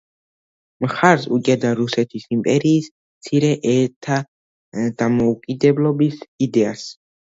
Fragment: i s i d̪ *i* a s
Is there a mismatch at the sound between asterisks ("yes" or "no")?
yes